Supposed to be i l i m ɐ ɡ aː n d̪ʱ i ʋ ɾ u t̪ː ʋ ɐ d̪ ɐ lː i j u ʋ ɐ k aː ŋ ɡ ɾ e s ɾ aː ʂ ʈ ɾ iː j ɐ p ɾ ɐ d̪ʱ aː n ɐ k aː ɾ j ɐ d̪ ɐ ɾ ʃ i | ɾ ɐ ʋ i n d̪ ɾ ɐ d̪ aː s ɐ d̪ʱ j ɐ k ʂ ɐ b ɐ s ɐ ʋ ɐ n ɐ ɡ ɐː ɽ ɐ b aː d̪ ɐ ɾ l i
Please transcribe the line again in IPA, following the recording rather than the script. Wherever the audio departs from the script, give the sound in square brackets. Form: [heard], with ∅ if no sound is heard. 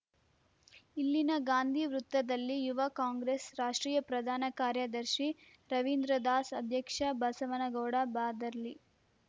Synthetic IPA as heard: i [lː] i [n] ɐ ɡ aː n d̪ʱ i ʋ ɾ u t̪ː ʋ ɐ d̪ ɐ lː i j u ʋ ɐ k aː ŋ ɡ ɾ e s ɾ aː ʂ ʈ ɾ iː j ɐ p ɾ ɐ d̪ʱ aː n ɐ k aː ɾ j ɐ d̪ ɐ ɾ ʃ i | ɾ ɐ ʋ i n d̪ ɾ ɐ d̪ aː s ɐ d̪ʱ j ɐ k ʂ ɐ b ɐ s ɐ ʋ ɐ n ɐ ɡ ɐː ɽ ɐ b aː d̪ ɐ ɾ l i

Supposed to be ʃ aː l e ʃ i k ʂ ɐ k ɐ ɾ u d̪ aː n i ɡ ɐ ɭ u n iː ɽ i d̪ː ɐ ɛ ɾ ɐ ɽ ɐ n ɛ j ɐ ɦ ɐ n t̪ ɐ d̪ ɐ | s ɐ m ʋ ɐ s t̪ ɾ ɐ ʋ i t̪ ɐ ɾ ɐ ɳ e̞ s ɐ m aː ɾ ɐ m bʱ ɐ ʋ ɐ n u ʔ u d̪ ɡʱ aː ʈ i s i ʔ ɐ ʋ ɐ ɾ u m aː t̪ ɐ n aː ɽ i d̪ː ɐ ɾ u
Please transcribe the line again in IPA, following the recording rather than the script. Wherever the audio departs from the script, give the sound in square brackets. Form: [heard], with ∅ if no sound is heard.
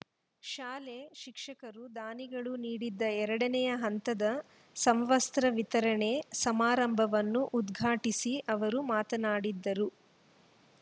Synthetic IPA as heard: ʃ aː l e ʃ i k ʂ ɐ k ɐ ɾ u d̪ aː n i ɡ ɐ ɭ u n iː ɽ i d̪ː ɐ ɛ ɾ ɐ ɽ ɐ n ɛ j ɐ ɦ ɐ n t̪ ɐ d̪ ɐ | s ɐ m ʋ ɐ s t̪ ɾ ɐ ʋ i t̪ ɐ ɾ ɐ ɳ e̞ s ɐ m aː ɾ ɐ m bʱ ɐ ʋ ɐ [nː] u ʔ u d̪ ɡʱ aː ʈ i s i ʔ ɐ ʋ ɐ ɾ u m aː t̪ ɐ n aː ɽ i d̪ː ɐ ɾ u

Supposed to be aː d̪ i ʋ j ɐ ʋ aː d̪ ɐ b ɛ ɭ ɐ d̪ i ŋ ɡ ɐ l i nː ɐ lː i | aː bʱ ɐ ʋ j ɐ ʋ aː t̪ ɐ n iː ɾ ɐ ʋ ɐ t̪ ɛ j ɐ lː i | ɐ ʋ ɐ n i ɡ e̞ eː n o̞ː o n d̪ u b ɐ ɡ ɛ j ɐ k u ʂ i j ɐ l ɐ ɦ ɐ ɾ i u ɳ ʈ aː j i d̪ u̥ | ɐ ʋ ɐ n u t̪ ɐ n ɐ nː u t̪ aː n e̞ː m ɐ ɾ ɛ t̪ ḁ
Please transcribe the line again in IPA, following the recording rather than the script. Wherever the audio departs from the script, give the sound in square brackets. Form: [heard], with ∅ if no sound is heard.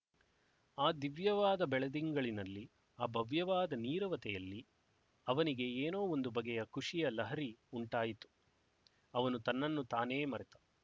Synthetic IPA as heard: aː d̪ i ʋ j ɐ ʋ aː d̪ ɐ b ɛ ɭ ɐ d̪ i ŋ ɡ ɐ [ɭ] i [n] ɐ lː i | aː bʱ ɐ ʋ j ɐ ʋ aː [d̪] ɐ n iː ɾ ɐ ʋ ɐ t̪ ɛ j ɐ lː i | ɐ ʋ ɐ n i ɡ e̞ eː n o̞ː o n d̪ u b ɐ ɡ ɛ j ɐ k u ʂ i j ɐ l ɐ ɦ ɐ ɾ i u ɳ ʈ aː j i [t̪] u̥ | ɐ ʋ ɐ n u t̪ ɐ [nː] ɐ nː u t̪ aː n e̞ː m ɐ ɾ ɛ t̪ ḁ

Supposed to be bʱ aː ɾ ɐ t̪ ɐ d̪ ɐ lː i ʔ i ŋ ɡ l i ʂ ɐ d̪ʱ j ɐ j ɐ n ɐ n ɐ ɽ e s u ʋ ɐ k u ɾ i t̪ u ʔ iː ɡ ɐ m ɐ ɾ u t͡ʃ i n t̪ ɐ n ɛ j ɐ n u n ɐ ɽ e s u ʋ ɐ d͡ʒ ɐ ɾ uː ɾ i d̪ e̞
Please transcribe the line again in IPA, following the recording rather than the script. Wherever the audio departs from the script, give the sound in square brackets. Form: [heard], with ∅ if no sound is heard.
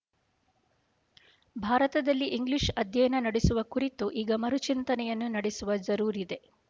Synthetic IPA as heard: bʱ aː ɾ ɐ t̪ ɐ d̪ ɐ lː i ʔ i ŋ ɡ l i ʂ ɐ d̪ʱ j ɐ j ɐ n ɐ n ɐ ɽ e s u ʋ ɐ k u ɾ i t̪ u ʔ iː ɡ ɐ m ɐ ɾ u t͡ʃ i n t̪ ɐ n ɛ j ɐ [nː] u n ɐ ɽ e s u ʋ ɐ d͡ʒ ɐ ɾ uː ɾ i d̪ e̞

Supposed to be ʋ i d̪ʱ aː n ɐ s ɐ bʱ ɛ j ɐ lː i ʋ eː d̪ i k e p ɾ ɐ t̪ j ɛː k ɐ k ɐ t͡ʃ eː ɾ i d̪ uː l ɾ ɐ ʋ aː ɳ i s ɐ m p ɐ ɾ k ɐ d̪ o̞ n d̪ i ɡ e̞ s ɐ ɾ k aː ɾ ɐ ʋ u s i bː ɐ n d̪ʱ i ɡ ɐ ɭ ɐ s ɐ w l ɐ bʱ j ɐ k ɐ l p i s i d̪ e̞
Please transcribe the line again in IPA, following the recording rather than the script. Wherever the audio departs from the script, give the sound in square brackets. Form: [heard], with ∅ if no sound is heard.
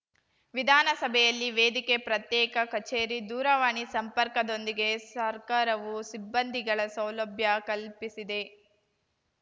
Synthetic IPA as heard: ʋ i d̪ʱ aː n ɐ s ɐ bʱ ɛ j ɐ lː i ʋ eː d̪ i k e p ɾ ɐ t̪ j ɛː k ɐ k ɐ t͡ʃ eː ɾ i d̪ uː [∅] ɾ ɐ ʋ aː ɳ i s ɐ m p ɐ ɾ k ɐ d̪ o̞ n d̪ i ɡ e̞ s ɐ ɾ k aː ɾ ɐ ʋ u s i bː ɐ n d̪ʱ i ɡ ɐ ɭ ɐ s ɐ w l ɐ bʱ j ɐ k ɐ l p i s i d̪ e̞

